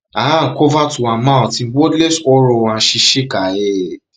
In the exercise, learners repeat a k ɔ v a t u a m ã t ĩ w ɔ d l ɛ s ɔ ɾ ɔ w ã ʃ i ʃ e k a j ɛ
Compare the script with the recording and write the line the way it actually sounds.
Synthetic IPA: a k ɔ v a t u a m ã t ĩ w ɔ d l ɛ s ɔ ɾ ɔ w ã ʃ i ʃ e k a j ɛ